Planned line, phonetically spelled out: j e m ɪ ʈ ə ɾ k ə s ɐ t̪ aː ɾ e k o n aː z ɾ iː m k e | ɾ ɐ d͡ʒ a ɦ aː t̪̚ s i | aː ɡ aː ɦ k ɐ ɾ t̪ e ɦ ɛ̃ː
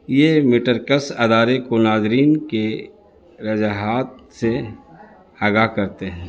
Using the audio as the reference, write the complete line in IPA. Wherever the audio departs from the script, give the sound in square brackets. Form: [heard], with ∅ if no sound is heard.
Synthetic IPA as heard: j e m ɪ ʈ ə ɾ k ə s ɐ [d̪] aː ɾ e k o n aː z ɾ iː [n] k e | ɾ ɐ d͡ʒ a ɦ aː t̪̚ s [e] | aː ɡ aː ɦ k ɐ ɾ t̪ e ɦ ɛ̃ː